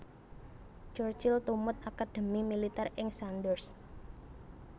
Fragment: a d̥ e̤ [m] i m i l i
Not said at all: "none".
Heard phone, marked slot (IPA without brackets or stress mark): m